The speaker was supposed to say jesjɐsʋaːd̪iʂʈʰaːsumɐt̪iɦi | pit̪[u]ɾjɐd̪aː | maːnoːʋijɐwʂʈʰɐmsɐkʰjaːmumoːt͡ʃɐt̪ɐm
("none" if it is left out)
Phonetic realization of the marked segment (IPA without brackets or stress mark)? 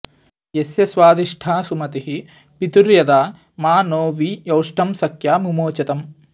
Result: u